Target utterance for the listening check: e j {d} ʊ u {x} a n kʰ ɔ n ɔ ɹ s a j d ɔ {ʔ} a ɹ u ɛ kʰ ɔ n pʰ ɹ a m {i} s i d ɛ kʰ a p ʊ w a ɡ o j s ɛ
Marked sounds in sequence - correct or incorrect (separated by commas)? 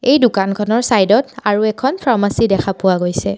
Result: correct, incorrect, incorrect, incorrect